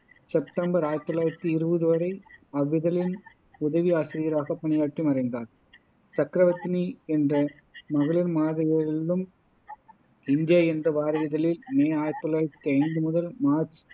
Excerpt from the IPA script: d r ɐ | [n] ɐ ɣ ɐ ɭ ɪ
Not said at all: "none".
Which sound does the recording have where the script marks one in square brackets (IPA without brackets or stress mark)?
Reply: m